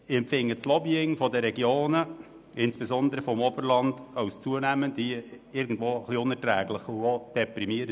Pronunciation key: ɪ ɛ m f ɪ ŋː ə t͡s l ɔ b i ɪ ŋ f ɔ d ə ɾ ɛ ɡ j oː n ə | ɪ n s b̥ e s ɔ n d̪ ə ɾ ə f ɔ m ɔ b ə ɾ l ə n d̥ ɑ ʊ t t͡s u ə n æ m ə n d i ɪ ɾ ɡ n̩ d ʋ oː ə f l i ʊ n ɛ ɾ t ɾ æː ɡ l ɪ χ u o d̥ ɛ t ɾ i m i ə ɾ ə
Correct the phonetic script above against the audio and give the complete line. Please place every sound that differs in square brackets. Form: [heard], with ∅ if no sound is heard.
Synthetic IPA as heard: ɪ ɛ m f ɪ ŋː ə t͡s l ɔ b i ɪ ŋ f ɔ d ə ɾ ɛ ɡ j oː n ə | ɪ n s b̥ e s ɔ n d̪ ə ɾ ə f ɔ m ɔ b ə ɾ l [ɑ] n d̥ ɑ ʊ [s] t͡s u ə n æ m ə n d i ɪ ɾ ɡ n̩ d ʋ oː ə [χ] l i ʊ n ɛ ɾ t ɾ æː ɡ l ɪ χ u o d̥ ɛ [p] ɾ i m i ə ɾ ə